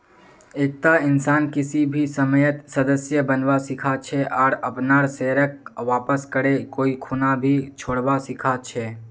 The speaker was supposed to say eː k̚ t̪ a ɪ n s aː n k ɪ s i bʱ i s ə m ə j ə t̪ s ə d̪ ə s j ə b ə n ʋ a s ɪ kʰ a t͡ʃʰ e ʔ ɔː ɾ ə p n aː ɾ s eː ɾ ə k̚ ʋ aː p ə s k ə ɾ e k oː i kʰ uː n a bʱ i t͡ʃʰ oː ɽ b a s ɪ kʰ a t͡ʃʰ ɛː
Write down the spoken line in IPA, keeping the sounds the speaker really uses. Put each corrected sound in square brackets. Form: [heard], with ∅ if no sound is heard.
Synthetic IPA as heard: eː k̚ t̪ a ɪ n s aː n k ɪ s i bʱ i s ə m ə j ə t̪ s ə d̪ ə s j ə b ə n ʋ a s ɪ kʰ a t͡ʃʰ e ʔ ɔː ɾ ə p n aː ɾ s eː ɾ ə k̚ ʋ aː p ə s k ə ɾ e k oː i kʰ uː n a bʱ i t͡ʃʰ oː ɽ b a s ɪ kʰ a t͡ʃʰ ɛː